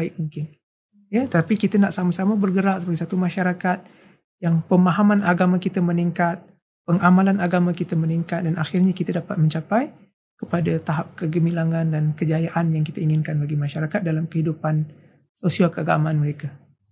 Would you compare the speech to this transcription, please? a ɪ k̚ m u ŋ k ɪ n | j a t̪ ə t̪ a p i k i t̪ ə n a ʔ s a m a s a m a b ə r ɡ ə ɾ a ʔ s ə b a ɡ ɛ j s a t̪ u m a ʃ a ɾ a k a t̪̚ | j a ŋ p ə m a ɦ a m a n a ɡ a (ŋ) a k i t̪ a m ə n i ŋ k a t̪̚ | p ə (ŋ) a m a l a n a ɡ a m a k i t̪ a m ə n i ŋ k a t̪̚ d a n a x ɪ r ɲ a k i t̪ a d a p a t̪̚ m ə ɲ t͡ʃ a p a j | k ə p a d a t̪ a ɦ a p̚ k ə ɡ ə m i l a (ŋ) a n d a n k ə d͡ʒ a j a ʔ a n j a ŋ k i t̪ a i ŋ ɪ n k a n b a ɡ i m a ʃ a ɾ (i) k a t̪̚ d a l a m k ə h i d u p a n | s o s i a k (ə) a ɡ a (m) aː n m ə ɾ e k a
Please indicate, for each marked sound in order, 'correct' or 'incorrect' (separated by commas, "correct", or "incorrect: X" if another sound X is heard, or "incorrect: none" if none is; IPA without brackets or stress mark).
incorrect: m, correct, correct, incorrect: a, correct, correct